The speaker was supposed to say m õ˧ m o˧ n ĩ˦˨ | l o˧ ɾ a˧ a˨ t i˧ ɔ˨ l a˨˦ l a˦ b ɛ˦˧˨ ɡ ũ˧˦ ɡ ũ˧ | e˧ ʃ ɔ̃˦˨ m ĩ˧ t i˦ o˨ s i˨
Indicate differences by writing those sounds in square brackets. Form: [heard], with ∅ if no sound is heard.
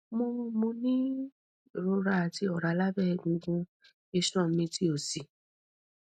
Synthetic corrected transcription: m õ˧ m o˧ n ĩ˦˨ | [ɾ] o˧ ɾ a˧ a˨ t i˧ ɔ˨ [ɾ] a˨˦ l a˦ b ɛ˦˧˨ ɡ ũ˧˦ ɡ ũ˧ | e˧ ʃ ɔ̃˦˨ m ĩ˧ t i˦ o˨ s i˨